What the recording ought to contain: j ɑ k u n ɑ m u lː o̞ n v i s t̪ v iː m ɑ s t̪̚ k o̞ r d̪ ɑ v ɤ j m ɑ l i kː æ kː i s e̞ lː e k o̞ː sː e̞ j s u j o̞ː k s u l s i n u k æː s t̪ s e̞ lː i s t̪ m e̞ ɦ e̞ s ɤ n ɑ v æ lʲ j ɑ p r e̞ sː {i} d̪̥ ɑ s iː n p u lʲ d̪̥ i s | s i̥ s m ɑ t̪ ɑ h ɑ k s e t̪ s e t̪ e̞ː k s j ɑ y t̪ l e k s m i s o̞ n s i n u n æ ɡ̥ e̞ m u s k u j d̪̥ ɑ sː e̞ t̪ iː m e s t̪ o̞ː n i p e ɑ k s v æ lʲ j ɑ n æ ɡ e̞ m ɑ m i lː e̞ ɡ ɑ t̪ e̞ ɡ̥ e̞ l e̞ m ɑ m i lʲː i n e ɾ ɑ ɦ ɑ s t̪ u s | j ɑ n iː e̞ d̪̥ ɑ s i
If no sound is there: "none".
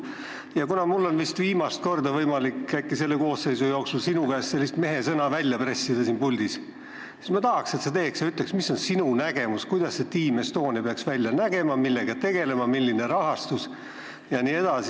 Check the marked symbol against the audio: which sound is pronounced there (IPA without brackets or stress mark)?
i